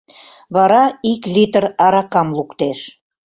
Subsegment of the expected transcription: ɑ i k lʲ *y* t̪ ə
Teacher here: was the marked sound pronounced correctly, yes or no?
no